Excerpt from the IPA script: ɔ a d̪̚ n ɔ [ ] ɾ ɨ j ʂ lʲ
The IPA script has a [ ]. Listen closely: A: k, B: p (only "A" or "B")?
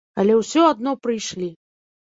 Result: B